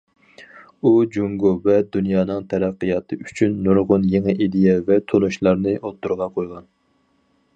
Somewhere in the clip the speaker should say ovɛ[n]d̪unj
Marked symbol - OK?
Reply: no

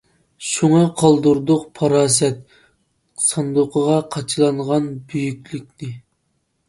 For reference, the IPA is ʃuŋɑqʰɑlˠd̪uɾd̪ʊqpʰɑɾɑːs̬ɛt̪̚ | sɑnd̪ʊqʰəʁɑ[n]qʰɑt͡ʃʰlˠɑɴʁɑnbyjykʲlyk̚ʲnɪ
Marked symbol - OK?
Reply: no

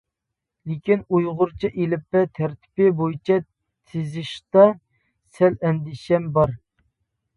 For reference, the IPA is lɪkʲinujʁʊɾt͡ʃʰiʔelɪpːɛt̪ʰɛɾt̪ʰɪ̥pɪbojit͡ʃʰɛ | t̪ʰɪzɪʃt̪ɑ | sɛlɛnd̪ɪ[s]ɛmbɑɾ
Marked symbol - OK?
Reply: no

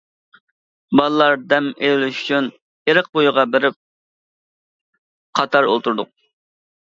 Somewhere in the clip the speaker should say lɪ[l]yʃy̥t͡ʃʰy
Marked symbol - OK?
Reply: yes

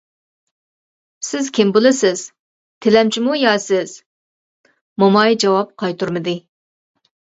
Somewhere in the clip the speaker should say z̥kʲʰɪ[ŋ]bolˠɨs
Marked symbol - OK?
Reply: no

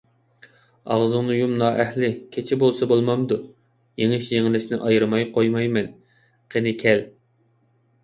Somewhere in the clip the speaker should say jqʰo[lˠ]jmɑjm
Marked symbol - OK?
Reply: no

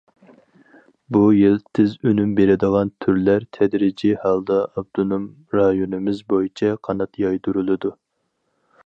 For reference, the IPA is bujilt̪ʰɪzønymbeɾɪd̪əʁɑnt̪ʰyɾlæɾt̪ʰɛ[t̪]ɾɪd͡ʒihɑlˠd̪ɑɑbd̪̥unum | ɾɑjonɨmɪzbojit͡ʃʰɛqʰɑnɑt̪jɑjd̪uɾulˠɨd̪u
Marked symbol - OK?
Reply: no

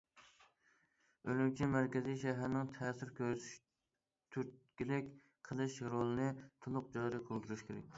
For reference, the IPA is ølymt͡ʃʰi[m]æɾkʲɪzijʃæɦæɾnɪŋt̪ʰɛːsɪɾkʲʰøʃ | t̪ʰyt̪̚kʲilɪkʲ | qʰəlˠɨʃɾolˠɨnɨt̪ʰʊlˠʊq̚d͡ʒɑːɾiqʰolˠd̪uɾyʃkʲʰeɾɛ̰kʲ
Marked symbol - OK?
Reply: yes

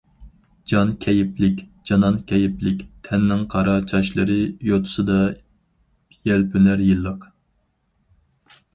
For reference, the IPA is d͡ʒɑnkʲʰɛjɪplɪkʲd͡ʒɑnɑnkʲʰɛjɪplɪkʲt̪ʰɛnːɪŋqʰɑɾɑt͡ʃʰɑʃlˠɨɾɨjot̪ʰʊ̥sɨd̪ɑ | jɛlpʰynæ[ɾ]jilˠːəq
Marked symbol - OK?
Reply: yes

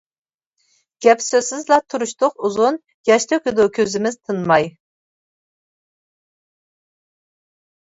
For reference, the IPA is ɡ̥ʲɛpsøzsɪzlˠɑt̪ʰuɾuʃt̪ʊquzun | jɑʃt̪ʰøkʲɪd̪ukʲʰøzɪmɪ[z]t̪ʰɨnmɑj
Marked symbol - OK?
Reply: yes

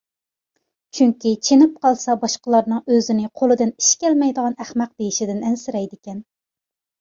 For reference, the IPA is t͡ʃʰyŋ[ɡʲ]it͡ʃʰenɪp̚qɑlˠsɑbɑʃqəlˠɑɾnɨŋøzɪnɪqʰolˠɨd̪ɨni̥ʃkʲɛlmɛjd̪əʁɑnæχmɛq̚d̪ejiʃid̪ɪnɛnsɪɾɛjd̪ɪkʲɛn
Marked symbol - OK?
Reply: no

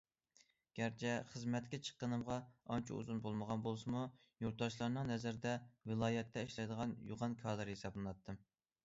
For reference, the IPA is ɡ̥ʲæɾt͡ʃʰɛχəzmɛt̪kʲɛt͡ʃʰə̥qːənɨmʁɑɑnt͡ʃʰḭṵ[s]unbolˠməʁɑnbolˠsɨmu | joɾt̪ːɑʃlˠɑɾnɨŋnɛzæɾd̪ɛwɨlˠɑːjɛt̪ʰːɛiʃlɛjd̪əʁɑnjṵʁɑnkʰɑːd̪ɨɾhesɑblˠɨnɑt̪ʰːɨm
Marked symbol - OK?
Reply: no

